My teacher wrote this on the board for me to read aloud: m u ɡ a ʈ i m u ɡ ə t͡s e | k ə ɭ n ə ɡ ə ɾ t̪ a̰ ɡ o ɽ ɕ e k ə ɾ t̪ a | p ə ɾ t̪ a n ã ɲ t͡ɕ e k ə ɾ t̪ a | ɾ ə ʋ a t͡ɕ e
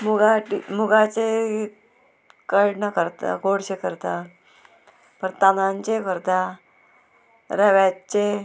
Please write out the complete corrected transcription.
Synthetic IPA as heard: m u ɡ a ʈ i m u ɡ a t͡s e | k ə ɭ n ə k ə ɾ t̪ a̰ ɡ o ɽ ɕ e k ə ɾ t̪ a | p ə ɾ t̪ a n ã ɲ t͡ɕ e k ə ɾ t̪ a | ɾ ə ʋ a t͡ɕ e